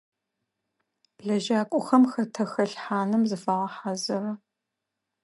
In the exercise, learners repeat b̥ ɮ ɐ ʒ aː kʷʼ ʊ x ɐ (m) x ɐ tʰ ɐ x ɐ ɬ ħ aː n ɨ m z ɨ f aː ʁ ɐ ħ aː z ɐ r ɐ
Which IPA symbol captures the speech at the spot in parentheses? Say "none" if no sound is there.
m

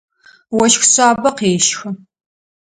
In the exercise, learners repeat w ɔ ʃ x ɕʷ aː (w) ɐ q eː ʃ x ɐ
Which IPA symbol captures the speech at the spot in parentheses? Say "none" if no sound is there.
b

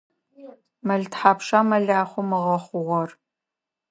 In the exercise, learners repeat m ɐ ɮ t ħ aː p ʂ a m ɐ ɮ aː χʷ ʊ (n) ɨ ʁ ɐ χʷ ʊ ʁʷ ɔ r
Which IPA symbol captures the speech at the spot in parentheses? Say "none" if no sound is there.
m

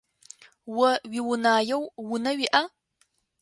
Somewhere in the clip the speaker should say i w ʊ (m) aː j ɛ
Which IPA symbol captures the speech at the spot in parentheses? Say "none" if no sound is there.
n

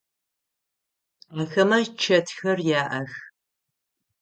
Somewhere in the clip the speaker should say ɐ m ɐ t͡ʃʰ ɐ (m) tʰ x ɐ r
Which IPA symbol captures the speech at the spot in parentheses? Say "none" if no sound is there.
none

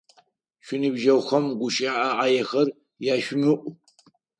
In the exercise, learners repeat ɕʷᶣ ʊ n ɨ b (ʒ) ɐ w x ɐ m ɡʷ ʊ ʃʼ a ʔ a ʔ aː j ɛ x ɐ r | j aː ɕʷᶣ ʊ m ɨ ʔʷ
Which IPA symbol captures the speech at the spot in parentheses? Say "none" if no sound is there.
ʒ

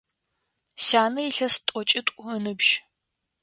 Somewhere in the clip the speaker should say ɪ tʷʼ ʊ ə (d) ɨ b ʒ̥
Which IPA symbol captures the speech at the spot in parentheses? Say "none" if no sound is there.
n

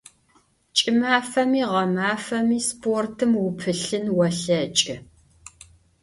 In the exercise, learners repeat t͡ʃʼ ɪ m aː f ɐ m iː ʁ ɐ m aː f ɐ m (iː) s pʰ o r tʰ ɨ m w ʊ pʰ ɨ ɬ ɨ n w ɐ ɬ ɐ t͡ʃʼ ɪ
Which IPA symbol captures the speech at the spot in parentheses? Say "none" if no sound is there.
iː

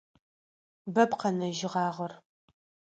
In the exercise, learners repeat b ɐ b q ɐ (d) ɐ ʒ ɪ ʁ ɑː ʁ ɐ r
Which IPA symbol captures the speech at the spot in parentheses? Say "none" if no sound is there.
n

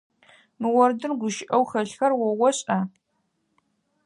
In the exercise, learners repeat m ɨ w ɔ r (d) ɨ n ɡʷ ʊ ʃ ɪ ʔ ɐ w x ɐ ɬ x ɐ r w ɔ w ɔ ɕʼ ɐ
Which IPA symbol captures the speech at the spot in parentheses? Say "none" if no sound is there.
d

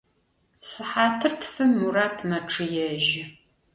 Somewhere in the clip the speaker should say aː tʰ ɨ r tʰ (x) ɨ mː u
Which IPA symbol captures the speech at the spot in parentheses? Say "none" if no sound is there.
f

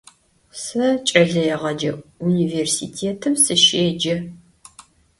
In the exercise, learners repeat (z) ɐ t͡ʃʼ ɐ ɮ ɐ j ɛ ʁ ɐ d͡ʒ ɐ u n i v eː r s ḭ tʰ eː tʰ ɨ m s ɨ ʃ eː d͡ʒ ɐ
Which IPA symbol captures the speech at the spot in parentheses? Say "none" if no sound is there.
s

